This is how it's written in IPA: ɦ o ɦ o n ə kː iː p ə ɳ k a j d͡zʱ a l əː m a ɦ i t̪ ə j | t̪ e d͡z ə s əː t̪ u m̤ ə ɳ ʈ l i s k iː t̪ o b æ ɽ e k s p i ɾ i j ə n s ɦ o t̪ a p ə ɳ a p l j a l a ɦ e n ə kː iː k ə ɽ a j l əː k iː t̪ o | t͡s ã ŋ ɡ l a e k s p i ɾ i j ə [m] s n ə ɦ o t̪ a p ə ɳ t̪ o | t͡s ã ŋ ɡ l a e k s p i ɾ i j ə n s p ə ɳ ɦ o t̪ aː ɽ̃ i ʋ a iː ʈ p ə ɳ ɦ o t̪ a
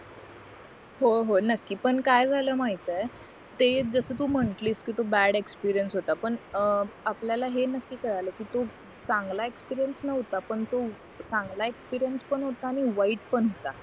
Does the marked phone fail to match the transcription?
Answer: yes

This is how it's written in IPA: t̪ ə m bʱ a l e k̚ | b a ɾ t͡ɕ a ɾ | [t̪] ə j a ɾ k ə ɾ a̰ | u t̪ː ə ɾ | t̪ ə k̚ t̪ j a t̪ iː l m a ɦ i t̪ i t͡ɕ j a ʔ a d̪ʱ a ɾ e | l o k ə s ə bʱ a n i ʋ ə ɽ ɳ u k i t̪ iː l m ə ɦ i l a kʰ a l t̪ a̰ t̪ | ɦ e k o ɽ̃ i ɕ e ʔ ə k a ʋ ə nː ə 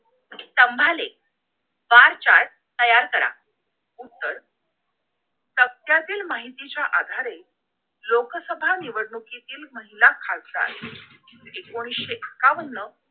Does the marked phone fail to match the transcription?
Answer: no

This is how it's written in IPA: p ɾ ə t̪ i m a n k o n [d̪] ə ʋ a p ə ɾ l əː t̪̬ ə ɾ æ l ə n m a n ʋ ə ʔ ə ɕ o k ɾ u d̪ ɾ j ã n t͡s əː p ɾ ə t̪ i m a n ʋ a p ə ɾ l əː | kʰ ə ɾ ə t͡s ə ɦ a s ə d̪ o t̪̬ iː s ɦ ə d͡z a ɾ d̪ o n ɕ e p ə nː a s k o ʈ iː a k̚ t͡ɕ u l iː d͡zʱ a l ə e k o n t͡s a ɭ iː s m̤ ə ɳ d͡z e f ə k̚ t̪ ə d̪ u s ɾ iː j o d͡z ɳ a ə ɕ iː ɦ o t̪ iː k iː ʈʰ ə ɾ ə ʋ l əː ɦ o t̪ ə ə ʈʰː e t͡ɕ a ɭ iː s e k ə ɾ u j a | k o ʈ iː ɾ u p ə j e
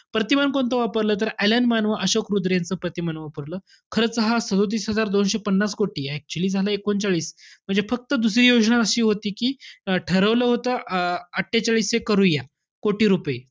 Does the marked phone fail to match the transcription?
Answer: yes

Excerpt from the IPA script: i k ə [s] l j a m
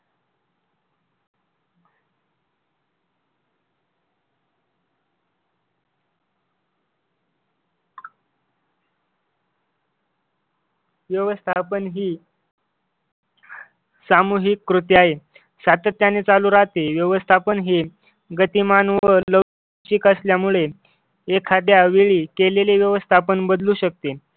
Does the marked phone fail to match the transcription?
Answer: no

